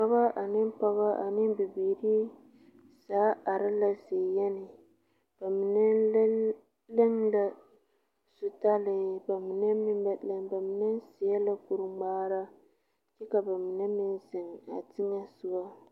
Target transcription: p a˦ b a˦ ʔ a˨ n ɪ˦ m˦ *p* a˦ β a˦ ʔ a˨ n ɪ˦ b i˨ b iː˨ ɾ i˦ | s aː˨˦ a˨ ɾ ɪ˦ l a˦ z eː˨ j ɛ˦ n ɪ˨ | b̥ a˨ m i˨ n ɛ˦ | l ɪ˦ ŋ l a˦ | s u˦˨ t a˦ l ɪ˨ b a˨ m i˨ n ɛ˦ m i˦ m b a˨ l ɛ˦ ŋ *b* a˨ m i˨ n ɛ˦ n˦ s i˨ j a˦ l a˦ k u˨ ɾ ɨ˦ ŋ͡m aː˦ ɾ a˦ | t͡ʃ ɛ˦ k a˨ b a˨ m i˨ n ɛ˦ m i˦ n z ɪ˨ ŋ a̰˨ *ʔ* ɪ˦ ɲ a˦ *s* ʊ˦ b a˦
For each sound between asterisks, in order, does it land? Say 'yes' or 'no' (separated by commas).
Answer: yes, yes, no, yes